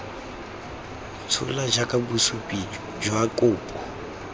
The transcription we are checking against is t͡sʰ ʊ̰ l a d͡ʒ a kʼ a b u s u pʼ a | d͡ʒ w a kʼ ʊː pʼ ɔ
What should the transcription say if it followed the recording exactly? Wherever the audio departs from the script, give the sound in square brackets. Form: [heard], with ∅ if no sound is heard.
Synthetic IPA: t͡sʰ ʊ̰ l a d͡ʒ a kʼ a b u s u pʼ [i] | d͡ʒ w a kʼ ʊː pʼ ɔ